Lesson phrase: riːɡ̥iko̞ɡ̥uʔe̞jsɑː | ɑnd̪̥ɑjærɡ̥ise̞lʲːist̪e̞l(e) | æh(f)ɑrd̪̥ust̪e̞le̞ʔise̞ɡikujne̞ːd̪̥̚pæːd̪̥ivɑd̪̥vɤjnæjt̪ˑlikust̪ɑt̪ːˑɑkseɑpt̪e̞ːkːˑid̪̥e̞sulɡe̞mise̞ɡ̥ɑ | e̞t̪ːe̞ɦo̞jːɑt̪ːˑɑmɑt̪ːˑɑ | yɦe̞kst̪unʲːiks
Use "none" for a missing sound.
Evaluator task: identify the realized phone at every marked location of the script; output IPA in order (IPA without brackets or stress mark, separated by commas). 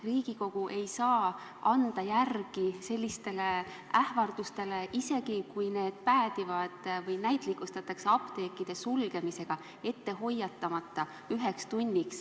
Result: e, v